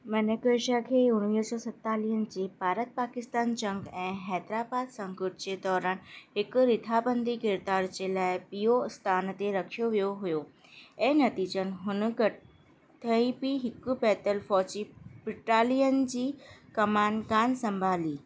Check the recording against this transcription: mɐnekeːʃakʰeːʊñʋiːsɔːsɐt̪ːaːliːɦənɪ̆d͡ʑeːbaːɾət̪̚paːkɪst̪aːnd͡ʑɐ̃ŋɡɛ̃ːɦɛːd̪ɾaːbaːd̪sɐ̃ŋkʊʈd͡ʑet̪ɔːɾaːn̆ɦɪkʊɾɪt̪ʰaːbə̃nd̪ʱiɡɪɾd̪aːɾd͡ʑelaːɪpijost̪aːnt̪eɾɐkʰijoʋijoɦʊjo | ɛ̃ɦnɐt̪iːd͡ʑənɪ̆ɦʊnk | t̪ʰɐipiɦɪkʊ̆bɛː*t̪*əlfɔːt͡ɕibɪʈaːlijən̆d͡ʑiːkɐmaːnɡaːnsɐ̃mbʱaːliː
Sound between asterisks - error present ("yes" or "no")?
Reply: no